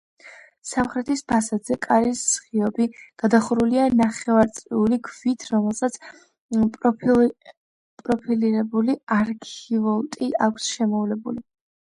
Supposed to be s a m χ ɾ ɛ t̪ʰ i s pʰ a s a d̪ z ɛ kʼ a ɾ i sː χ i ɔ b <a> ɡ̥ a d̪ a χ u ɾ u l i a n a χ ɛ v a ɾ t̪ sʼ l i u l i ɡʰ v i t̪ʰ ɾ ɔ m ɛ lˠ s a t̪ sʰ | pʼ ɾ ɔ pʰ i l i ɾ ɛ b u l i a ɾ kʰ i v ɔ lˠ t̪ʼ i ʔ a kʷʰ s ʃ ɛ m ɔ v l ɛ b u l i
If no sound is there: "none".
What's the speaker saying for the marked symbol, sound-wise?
i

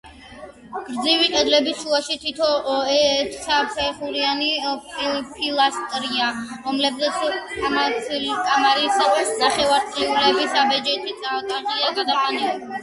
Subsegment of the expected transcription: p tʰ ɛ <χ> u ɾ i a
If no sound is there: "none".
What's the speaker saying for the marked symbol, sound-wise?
χ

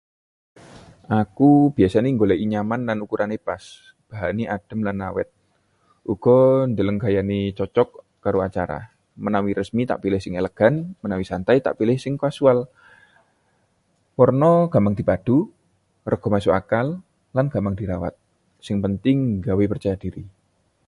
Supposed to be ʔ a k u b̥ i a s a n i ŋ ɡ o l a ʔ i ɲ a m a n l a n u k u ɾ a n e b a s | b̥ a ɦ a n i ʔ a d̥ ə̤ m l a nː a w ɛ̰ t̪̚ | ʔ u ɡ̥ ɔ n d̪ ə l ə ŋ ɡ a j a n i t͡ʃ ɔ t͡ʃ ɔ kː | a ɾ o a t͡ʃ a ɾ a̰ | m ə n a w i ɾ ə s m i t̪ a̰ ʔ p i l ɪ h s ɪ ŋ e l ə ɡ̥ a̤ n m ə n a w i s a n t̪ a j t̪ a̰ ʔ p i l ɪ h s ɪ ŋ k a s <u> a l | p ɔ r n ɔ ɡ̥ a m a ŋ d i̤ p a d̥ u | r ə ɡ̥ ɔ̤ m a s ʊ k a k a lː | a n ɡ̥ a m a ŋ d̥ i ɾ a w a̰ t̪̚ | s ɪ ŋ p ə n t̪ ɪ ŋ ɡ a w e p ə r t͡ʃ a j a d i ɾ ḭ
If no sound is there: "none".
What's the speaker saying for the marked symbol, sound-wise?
u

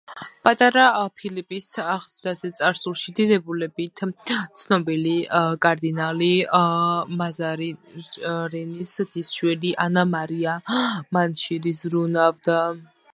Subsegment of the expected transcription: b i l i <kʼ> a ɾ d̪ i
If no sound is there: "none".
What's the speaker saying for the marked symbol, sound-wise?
kʼ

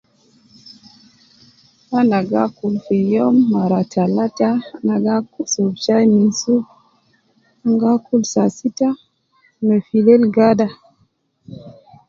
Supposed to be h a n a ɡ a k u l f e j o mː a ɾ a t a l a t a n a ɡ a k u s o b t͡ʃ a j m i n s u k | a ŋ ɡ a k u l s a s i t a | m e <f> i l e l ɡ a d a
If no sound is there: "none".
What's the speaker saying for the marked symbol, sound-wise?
f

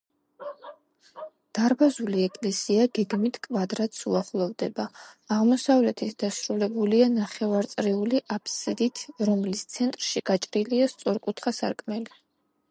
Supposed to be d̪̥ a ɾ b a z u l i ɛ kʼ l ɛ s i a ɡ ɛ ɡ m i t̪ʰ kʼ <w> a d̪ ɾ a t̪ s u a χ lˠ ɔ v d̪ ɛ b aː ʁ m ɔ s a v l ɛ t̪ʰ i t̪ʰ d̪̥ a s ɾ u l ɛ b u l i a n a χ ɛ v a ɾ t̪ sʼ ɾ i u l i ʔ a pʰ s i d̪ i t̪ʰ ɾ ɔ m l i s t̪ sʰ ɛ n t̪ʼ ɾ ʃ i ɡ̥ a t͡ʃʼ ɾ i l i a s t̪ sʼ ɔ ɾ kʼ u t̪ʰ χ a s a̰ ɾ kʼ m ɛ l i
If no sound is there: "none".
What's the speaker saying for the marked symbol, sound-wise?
v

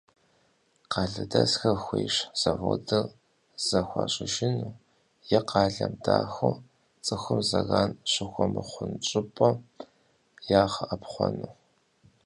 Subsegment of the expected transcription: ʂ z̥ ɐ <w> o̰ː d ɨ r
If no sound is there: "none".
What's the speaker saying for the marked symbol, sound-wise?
v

